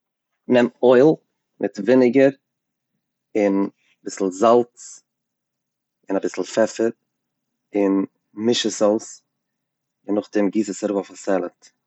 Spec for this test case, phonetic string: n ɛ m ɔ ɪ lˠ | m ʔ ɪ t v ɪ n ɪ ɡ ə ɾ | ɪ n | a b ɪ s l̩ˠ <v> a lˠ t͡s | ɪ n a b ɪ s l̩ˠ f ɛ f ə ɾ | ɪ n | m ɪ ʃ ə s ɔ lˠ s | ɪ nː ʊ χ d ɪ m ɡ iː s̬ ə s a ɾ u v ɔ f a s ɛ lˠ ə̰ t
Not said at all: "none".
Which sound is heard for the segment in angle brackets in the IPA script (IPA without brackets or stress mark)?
z